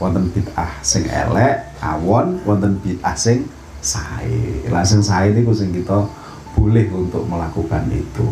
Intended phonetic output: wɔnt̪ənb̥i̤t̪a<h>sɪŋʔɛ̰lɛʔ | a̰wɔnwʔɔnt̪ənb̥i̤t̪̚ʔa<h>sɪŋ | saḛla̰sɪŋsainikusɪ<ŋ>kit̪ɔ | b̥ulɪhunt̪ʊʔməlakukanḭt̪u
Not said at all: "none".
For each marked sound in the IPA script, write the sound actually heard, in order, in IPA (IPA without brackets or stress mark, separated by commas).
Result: h, h, ŋ